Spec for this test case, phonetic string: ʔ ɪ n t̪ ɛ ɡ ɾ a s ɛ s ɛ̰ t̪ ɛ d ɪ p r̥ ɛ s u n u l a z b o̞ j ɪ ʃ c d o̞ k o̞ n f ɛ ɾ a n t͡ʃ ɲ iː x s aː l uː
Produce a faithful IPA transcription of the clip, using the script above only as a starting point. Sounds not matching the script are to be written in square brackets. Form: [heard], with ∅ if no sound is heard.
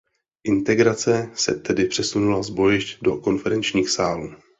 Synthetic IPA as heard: ʔ ɪ n t̪ ɛ ɡ ɾ a [t͡s] ɛ s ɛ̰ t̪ ɛ d ɪ p r̥ ɛ s u n u l a z b o̞ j ɪ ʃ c d o̞ k o̞ n f ɛ ɾ [ɛ] n t͡ʃ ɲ iː x s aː l uː